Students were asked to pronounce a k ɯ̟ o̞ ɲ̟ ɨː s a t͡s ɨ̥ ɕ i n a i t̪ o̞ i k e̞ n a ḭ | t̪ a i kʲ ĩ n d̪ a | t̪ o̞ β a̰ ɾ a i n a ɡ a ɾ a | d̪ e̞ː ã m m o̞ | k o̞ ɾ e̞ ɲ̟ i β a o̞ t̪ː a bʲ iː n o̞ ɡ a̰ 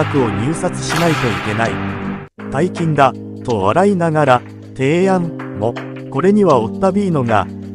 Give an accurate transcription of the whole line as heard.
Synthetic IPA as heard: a k ɯ̟ o̞ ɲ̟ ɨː s a t͡s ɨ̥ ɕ i n a i t̪ o̞ i k e̞ n a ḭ | t̪ a i kʲ ĩ n d̪ a | t̪ o̞ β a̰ ɾ a i n a ɡ a ɾ a | t̪ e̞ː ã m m o̞ | k o̞ ɾ e̞ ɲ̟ i β a o̞ t̪ː a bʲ iː n o̞ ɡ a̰